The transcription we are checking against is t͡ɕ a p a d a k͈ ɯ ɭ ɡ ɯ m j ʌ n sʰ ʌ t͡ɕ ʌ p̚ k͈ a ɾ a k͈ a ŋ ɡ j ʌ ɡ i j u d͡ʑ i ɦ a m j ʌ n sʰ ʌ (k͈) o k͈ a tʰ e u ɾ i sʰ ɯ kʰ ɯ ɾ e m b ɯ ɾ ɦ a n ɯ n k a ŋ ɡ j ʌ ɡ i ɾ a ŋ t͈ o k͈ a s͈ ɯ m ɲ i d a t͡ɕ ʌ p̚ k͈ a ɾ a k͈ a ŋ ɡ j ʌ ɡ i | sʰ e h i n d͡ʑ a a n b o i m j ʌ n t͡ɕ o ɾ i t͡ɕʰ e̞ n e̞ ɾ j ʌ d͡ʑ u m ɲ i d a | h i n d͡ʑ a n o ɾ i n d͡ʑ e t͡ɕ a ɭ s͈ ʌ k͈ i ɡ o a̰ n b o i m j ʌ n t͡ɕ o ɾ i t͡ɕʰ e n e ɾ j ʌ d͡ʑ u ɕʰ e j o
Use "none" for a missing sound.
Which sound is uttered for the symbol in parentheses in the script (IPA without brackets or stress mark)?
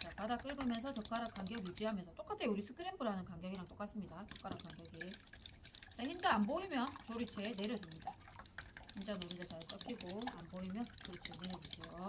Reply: t͈